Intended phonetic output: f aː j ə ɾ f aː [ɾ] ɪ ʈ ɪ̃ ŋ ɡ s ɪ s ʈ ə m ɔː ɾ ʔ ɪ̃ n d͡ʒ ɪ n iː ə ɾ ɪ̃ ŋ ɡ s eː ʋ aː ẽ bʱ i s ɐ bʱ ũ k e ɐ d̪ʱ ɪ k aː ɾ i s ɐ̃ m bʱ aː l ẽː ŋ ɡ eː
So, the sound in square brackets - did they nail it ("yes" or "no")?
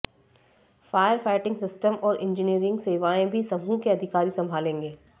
no